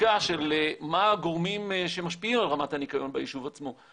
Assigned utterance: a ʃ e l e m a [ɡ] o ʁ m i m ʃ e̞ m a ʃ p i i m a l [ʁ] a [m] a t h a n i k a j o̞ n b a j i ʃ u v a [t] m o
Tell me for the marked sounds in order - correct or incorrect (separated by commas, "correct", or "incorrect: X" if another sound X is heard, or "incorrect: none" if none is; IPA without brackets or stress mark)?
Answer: correct, correct, correct, incorrect: t͡s